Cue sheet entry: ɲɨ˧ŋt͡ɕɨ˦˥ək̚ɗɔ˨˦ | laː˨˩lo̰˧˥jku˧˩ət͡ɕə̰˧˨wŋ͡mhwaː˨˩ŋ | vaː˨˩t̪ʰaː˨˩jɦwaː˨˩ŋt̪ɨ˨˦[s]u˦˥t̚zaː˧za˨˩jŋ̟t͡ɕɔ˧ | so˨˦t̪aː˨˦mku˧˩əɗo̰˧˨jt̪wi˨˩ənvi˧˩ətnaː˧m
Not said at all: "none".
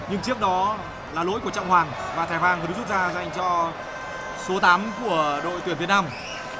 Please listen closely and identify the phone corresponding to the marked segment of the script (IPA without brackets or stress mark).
z